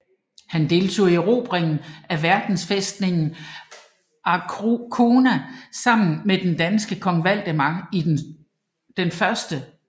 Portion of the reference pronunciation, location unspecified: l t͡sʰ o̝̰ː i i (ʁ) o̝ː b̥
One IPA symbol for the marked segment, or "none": ʁ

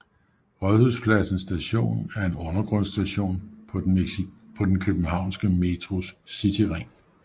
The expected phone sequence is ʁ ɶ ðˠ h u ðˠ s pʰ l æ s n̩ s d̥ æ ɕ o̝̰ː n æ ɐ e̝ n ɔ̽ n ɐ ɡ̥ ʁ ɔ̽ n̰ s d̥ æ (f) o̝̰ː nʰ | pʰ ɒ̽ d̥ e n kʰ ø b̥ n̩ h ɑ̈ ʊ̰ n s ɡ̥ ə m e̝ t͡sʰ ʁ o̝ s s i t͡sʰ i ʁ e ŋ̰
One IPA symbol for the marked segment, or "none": ɕ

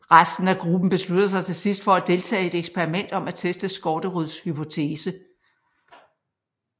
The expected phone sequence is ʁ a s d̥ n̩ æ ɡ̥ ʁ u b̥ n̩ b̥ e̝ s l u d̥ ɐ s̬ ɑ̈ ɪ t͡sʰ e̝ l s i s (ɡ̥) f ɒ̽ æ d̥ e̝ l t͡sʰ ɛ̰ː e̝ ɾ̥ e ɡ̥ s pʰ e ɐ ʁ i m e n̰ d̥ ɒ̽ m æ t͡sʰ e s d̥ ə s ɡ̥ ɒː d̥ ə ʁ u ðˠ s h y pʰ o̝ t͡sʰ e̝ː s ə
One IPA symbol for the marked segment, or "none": d̥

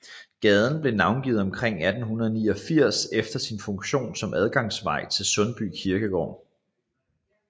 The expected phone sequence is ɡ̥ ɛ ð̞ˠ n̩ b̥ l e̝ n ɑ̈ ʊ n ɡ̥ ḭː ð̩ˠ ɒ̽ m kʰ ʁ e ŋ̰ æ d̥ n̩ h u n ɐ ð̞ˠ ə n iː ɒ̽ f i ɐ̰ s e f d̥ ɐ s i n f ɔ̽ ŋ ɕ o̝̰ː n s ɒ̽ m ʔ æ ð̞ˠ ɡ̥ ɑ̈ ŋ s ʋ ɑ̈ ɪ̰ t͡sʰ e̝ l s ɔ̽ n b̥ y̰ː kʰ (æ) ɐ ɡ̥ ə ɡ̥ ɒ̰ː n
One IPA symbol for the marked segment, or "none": i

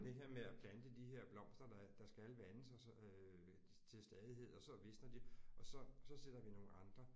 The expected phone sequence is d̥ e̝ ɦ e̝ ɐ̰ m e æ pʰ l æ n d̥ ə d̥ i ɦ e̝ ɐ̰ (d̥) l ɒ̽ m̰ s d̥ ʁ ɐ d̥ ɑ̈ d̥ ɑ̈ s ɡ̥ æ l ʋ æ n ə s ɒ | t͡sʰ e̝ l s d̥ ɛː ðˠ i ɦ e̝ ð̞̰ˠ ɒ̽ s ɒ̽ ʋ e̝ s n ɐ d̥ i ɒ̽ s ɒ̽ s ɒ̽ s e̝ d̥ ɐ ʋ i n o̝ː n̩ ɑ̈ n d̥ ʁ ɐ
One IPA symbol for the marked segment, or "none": b̥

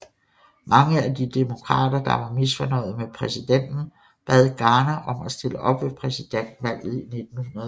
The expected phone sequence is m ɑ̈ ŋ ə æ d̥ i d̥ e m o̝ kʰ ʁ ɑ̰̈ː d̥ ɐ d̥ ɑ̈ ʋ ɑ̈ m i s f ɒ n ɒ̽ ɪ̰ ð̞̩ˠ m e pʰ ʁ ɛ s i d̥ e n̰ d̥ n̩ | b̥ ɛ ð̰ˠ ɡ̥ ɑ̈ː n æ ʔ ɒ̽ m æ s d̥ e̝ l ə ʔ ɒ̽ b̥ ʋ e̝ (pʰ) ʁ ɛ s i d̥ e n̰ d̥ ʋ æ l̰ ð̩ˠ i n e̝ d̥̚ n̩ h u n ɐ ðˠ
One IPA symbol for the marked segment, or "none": pʰ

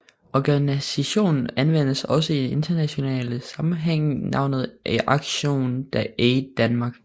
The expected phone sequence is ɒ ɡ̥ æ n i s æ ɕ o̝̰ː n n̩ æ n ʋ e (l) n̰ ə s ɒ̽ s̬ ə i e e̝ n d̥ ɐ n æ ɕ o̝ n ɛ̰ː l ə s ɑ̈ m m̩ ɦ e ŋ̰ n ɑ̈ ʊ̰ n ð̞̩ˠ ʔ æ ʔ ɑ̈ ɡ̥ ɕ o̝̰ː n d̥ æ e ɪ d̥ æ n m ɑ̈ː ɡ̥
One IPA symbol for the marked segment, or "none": none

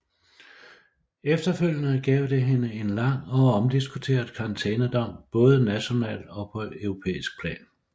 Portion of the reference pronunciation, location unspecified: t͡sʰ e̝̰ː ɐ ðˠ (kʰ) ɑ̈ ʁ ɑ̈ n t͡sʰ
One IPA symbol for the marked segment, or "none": kʰ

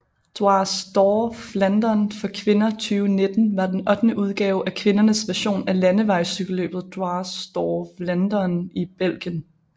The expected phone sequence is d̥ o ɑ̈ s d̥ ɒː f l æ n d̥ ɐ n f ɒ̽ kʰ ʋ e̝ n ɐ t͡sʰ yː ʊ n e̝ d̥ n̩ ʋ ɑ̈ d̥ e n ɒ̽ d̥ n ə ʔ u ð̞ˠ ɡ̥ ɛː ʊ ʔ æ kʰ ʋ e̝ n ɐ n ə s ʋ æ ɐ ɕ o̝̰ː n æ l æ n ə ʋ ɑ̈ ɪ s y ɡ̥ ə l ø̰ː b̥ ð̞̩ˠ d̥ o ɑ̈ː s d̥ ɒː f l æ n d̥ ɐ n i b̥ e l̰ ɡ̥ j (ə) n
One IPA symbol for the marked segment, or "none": ə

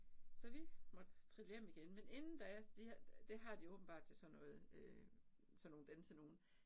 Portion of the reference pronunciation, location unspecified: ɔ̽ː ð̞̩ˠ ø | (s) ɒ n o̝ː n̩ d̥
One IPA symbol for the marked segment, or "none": s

